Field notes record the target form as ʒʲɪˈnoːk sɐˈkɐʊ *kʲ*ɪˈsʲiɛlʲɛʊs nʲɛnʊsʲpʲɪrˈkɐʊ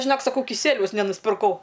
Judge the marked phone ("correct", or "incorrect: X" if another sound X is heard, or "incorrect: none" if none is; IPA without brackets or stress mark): correct